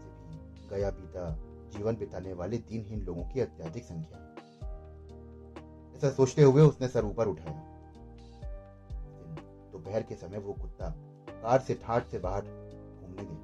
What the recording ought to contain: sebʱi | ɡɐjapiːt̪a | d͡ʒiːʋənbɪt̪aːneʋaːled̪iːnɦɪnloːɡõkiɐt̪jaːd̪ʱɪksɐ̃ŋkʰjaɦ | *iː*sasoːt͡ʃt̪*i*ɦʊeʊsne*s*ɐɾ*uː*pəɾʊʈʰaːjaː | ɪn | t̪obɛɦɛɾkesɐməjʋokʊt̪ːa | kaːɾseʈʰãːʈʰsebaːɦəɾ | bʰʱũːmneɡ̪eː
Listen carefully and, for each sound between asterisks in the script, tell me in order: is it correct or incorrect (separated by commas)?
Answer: incorrect, incorrect, correct, correct